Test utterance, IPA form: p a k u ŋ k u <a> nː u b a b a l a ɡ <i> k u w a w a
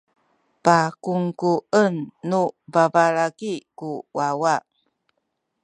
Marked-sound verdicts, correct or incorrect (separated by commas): incorrect, correct